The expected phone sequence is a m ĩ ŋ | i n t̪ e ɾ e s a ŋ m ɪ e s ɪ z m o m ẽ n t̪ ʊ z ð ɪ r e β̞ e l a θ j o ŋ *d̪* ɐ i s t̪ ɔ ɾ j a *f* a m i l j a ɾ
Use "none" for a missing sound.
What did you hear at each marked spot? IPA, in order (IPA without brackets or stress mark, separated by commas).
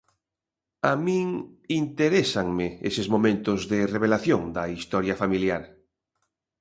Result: d̪, f